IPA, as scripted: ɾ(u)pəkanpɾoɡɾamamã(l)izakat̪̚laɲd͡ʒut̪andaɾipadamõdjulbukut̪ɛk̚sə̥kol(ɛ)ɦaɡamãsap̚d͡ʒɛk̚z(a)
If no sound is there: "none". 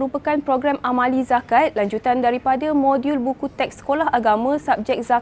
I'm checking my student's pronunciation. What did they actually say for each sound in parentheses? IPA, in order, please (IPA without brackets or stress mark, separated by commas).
u, l, a, a